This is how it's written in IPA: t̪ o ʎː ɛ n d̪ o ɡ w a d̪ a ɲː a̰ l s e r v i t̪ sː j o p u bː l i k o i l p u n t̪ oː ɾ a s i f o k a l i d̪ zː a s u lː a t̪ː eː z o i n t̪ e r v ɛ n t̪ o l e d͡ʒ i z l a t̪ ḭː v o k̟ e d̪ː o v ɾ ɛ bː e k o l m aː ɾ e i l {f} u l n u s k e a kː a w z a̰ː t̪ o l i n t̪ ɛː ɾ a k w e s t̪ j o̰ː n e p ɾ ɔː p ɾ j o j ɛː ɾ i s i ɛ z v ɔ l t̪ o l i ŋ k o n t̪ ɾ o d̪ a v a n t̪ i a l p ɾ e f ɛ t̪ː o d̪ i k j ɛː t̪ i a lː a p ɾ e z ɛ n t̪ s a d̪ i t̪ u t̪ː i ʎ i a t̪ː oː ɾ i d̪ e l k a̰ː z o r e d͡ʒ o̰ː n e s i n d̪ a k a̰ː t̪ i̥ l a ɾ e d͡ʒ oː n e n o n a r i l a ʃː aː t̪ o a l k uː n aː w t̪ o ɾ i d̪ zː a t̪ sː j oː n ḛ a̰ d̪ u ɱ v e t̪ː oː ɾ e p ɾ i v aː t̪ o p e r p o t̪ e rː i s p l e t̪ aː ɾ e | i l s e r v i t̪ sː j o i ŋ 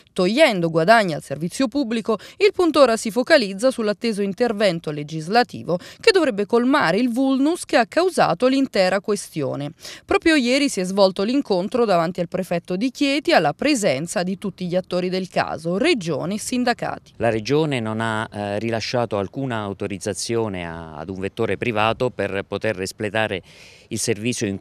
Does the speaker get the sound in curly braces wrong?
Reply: yes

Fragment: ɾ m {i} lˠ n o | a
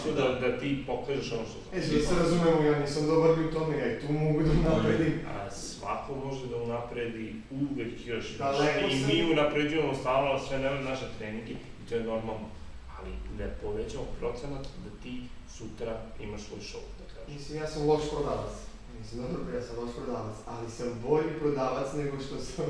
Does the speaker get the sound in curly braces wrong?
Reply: yes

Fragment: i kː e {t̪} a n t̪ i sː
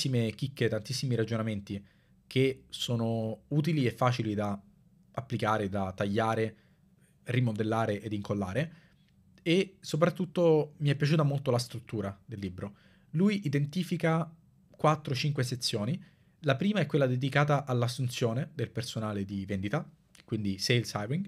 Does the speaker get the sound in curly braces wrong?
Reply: no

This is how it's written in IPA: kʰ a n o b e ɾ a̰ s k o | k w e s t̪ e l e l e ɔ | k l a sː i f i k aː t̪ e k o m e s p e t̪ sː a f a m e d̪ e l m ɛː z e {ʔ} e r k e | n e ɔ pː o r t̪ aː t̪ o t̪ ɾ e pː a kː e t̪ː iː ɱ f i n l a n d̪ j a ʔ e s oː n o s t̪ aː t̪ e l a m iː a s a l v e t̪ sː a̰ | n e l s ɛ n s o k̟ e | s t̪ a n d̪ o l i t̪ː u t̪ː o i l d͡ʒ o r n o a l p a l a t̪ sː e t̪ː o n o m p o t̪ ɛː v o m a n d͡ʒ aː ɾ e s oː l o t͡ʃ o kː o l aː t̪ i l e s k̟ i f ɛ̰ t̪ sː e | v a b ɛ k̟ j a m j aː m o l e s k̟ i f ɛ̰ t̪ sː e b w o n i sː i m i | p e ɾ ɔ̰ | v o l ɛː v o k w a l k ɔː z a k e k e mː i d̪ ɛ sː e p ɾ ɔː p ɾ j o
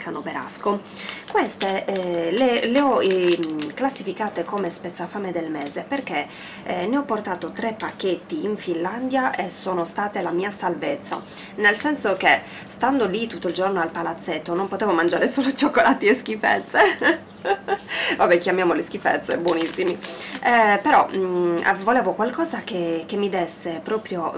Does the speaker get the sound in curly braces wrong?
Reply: yes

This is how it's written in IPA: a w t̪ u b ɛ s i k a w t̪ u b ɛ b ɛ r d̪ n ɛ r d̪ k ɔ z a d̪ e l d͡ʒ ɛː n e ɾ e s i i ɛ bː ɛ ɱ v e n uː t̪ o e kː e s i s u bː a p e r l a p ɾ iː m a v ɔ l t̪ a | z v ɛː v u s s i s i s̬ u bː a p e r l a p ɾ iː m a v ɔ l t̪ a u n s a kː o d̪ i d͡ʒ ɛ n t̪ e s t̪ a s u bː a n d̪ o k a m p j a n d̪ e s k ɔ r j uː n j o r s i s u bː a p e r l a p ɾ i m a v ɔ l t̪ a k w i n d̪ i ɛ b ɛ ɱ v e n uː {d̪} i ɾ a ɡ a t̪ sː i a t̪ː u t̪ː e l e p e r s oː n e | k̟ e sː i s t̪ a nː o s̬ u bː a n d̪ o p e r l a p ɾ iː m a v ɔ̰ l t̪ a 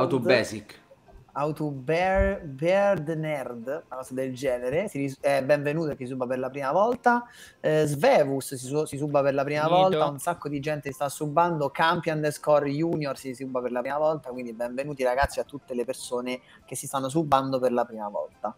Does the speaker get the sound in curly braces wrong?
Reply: yes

